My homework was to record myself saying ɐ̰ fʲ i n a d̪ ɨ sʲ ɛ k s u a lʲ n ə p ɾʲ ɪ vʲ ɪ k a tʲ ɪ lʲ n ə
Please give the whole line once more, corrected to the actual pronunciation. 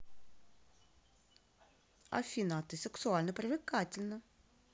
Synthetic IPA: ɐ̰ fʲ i n a t̪ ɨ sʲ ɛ k s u a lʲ n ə p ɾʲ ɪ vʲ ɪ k a tʲ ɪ lʲ n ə